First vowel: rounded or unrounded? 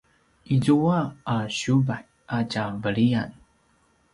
unrounded